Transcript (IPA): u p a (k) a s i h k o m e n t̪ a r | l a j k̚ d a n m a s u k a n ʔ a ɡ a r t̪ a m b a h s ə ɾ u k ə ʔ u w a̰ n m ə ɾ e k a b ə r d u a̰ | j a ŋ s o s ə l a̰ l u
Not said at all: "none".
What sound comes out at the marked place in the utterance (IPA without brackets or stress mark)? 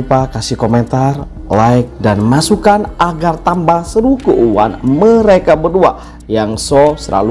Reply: k